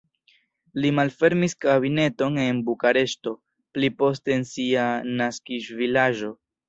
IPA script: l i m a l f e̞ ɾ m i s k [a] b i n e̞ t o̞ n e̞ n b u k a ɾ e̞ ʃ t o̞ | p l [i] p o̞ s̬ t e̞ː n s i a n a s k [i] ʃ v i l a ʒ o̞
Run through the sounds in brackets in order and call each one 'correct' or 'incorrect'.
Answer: correct, correct, correct

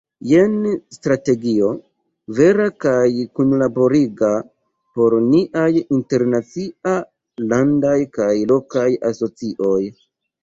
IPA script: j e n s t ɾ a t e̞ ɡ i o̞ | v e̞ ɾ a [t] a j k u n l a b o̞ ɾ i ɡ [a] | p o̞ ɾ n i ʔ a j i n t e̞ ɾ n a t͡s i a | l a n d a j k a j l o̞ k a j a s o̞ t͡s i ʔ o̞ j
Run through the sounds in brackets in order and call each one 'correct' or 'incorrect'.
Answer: incorrect: k, correct

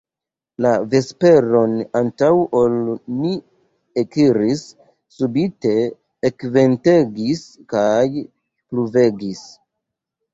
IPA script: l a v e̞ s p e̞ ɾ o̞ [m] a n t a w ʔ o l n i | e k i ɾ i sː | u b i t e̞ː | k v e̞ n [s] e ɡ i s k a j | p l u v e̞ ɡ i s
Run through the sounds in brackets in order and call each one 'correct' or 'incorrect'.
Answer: incorrect: n, incorrect: t

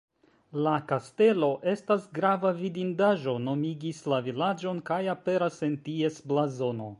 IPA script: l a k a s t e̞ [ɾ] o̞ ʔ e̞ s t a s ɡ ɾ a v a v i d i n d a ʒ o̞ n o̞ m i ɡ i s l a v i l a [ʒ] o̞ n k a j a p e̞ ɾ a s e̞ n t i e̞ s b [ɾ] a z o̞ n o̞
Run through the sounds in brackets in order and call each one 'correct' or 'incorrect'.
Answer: incorrect: l, incorrect: d͡ʒ, incorrect: l

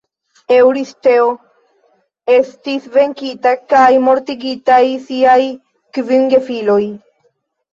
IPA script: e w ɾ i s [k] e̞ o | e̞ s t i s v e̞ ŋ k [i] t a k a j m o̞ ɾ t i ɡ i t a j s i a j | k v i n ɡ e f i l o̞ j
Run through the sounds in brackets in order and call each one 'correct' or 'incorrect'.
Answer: incorrect: t, correct

